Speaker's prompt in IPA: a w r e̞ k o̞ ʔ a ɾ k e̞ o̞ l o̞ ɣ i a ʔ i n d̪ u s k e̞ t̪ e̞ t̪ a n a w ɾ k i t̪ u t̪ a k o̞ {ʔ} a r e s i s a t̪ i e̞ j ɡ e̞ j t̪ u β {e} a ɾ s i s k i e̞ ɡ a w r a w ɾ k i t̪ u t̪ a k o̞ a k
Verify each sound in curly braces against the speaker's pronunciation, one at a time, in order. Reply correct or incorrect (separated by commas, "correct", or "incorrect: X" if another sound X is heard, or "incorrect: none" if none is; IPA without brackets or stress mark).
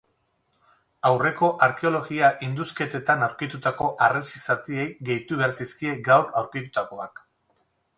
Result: correct, correct